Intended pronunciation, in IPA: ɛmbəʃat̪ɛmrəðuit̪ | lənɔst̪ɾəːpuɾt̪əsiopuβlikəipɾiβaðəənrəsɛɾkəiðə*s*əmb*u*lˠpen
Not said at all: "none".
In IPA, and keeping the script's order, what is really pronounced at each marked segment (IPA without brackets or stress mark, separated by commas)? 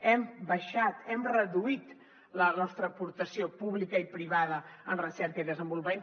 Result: z, u